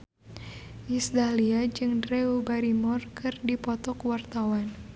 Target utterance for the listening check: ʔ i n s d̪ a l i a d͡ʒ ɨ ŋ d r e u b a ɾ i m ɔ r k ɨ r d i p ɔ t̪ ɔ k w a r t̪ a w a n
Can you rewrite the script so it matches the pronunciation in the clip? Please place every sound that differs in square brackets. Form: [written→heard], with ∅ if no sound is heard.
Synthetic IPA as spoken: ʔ i [n→∅] s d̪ a l i a d͡ʒ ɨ ŋ d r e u b a ɾ i m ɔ r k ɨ r d i p ɔ t̪ ɔ k w a r t̪ a w a n